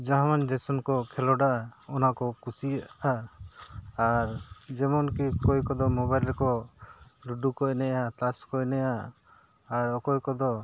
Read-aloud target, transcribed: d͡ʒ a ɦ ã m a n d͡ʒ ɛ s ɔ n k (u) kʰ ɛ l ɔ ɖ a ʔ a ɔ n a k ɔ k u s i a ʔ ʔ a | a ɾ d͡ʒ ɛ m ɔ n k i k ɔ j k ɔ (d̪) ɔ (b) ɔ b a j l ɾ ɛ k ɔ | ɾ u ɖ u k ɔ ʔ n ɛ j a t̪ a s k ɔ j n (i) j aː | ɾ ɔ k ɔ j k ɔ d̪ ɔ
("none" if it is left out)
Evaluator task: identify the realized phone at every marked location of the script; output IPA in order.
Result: ɔ, d̪, m, ɛ

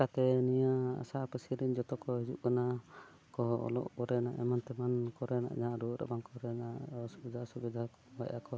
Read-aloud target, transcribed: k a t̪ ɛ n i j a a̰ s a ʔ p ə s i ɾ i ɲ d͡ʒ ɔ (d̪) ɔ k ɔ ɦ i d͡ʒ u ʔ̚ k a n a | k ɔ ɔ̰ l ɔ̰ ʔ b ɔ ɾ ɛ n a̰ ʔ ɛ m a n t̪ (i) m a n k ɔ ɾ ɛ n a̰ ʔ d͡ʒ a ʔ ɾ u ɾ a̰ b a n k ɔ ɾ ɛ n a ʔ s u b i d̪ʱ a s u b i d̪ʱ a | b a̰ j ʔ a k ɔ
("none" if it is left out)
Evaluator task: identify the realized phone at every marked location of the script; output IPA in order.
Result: t̪, ɛ

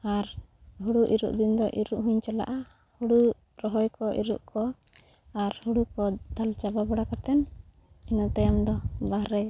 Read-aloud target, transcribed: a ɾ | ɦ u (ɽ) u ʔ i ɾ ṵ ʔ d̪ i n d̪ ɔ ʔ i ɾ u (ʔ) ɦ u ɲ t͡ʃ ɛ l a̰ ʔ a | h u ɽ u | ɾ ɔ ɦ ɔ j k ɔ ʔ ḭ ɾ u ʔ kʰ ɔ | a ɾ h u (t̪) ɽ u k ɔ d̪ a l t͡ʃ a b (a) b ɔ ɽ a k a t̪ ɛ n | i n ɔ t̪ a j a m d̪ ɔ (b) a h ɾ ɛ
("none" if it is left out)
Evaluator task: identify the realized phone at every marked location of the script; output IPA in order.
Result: ɽ, ʔ, none, a, b

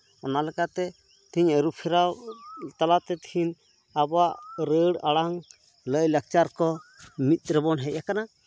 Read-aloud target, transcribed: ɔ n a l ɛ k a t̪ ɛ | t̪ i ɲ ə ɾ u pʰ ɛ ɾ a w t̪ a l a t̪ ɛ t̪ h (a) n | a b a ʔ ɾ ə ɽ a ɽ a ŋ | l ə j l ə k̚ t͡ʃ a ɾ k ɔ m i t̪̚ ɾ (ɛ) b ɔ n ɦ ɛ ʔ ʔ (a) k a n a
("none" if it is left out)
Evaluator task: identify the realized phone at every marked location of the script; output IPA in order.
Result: i, ɛ, a

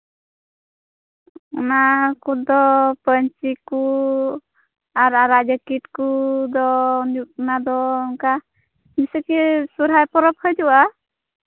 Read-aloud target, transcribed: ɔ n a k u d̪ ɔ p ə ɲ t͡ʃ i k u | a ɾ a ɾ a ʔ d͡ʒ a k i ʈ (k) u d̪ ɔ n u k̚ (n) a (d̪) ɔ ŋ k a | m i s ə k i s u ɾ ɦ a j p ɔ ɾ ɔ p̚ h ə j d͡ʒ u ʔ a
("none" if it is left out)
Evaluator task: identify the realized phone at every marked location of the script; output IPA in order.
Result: k, n, d̪

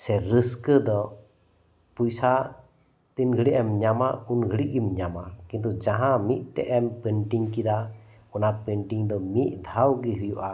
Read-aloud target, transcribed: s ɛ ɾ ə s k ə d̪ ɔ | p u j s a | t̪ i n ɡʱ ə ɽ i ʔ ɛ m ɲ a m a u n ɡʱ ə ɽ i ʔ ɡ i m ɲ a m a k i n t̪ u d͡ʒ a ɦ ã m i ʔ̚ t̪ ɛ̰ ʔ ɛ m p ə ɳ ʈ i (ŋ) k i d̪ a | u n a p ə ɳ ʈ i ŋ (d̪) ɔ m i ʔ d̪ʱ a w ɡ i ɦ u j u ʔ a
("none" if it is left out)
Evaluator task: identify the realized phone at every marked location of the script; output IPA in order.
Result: ŋ, d̪

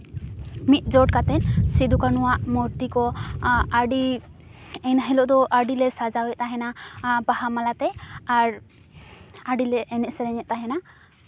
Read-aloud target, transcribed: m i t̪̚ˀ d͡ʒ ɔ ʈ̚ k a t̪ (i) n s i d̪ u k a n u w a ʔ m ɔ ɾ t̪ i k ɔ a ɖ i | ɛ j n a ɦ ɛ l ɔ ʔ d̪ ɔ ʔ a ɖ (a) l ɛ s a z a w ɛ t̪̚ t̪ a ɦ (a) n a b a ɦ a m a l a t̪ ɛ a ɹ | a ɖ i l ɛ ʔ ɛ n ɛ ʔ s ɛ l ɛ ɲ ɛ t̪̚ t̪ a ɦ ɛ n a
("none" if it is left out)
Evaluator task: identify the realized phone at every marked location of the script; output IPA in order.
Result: ɛ, i, ɛ

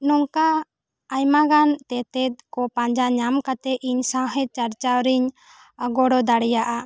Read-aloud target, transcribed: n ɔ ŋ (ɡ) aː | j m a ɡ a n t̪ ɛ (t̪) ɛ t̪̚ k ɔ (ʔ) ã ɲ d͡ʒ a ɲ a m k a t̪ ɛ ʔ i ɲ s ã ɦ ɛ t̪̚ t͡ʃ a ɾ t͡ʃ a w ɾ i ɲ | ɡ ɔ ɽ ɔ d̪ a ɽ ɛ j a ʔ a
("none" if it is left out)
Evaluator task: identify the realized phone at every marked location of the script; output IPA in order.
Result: k, t̪, p

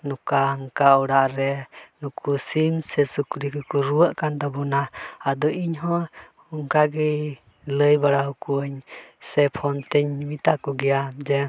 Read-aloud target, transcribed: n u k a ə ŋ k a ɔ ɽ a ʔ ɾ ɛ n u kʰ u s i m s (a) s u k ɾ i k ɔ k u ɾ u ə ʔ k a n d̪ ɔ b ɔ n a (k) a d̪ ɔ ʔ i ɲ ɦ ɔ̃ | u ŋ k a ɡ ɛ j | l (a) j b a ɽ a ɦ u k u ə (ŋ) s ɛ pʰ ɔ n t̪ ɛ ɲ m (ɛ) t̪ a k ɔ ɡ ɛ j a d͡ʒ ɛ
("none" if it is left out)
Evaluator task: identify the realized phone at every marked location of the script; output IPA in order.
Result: ɛ, none, ə, ɲ, i

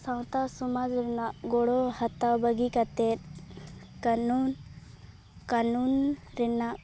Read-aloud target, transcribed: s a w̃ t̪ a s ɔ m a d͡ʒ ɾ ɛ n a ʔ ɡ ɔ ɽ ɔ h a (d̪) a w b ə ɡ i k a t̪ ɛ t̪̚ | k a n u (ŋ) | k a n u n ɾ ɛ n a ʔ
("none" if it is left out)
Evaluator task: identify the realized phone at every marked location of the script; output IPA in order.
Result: t̪, n

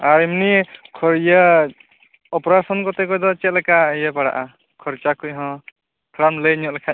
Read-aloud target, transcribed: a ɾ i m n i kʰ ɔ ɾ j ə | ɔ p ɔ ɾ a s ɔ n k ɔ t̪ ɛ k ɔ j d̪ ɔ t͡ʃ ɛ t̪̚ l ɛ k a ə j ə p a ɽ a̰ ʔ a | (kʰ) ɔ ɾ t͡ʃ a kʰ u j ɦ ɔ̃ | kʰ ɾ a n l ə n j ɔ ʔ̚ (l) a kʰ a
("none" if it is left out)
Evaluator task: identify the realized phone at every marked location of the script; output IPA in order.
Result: kʰ, l

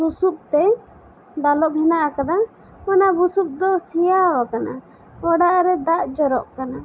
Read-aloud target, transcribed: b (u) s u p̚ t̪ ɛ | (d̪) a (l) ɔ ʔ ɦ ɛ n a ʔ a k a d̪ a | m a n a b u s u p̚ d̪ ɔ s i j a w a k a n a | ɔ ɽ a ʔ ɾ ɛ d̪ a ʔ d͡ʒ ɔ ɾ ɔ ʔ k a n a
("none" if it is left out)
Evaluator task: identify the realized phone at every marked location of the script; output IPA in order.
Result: u, d̪, l

